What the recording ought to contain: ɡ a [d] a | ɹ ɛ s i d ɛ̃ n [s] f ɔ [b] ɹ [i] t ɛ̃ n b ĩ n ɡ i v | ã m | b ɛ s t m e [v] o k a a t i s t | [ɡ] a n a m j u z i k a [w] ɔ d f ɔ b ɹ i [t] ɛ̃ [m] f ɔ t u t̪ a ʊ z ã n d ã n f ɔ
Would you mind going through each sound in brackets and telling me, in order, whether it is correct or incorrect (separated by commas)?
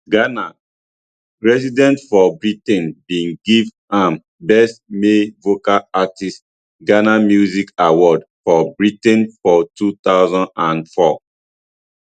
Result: incorrect, incorrect, correct, correct, correct, correct, correct, correct, incorrect